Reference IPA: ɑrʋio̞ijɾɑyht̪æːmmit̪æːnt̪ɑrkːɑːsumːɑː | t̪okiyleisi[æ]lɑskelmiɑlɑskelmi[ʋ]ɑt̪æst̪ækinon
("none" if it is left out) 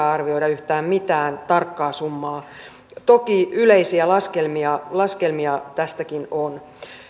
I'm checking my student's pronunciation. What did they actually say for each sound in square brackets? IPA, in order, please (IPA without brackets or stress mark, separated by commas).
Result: æ, none